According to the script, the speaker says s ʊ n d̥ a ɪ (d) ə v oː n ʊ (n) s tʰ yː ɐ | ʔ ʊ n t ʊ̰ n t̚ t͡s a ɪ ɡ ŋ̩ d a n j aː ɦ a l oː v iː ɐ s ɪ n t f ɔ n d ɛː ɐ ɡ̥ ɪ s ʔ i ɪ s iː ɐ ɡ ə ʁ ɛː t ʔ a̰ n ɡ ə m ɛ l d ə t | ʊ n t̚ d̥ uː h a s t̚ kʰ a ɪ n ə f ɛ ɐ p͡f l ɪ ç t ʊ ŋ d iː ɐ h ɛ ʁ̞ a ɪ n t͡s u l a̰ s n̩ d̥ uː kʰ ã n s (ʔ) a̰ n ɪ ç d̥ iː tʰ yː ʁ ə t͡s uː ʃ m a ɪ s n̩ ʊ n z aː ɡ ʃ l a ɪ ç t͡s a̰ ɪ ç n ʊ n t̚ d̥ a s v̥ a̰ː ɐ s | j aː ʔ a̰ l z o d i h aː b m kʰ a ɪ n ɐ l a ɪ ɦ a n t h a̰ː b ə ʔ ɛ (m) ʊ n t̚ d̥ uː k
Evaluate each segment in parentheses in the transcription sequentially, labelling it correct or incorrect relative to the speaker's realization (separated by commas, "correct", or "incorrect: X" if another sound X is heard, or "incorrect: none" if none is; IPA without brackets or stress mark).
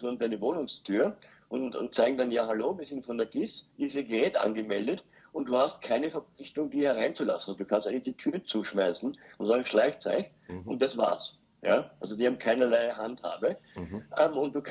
incorrect: n, incorrect: ŋ, incorrect: t, correct